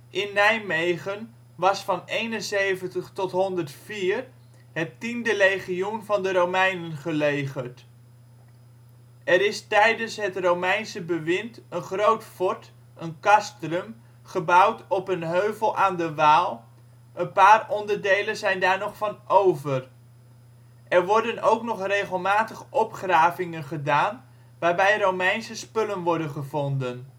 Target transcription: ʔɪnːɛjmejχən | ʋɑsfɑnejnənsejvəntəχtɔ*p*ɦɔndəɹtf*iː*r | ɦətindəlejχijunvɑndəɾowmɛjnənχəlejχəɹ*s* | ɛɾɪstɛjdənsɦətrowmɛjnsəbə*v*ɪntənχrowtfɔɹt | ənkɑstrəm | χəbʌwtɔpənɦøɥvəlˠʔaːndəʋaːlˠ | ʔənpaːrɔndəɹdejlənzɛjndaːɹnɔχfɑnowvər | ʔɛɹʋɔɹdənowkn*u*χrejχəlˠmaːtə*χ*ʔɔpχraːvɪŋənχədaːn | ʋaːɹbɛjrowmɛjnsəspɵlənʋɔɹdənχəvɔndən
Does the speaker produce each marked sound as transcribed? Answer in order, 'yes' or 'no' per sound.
no, yes, no, no, no, yes

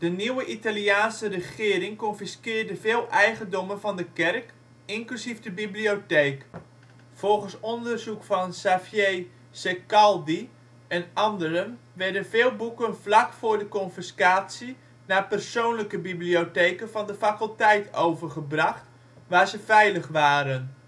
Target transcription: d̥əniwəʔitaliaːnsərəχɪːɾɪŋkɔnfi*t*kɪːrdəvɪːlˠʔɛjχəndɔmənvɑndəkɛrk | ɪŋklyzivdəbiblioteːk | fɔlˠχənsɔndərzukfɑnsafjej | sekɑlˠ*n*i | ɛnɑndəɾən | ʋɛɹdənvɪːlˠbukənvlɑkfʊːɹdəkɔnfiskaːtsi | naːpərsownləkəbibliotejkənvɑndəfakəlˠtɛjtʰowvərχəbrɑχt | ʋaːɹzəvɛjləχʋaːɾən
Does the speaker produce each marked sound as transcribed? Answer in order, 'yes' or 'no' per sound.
no, no

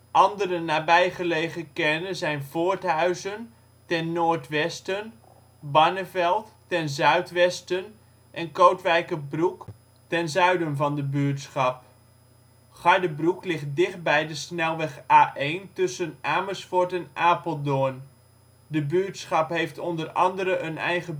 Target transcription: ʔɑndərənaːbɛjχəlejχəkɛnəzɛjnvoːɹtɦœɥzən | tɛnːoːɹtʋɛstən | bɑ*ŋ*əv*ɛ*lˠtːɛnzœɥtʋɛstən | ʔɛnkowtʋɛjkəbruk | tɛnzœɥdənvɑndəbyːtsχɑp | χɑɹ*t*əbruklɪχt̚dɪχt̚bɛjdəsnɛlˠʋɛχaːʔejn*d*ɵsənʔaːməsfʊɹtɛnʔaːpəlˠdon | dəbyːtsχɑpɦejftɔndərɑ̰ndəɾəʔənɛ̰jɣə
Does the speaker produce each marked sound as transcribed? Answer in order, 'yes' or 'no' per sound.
no, yes, no, no

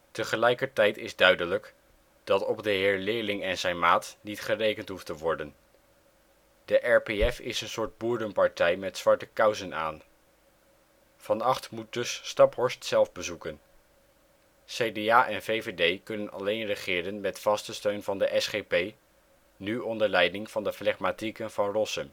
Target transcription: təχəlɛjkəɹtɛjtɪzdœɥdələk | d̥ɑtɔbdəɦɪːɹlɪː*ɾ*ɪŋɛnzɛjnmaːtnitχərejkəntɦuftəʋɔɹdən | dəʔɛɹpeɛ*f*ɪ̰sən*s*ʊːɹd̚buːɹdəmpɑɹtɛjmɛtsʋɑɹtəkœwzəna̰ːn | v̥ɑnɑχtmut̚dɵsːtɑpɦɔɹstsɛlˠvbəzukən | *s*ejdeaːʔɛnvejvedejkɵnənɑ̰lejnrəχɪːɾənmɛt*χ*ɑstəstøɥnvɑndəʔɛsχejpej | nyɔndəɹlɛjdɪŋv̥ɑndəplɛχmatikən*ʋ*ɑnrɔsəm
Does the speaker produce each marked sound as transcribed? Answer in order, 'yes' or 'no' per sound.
no, yes, yes, yes, no, no

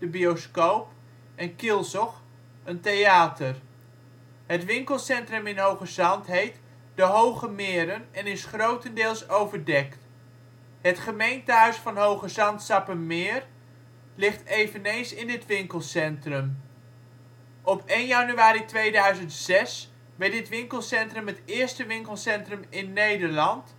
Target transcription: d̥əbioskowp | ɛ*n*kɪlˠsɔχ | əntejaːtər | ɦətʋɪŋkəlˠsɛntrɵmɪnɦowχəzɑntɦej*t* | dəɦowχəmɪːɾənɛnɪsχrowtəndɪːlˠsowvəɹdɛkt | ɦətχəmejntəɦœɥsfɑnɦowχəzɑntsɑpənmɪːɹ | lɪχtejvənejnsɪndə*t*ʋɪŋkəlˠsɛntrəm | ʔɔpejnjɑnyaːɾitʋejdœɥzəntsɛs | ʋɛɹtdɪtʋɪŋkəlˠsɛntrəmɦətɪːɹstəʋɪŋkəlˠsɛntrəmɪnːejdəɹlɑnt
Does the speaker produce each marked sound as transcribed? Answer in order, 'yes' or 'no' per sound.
yes, yes, yes

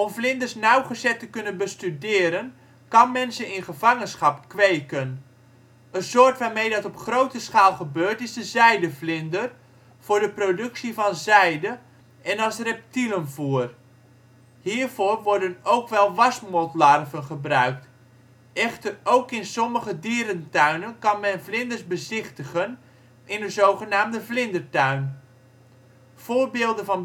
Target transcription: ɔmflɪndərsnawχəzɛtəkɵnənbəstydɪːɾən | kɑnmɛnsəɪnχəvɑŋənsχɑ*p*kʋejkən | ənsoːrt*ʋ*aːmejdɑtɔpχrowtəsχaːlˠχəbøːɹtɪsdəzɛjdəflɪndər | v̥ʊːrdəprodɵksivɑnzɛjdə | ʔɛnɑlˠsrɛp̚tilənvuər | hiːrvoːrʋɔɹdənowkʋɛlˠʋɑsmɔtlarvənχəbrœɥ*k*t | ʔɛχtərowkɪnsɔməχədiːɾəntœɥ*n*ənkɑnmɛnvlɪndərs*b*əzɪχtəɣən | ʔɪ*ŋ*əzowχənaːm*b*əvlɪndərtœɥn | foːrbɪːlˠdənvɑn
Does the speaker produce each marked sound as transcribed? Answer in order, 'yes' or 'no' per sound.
yes, yes, yes, yes, yes, no, no

